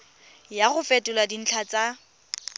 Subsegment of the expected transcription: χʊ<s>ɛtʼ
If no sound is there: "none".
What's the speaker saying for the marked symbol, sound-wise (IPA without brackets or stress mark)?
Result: f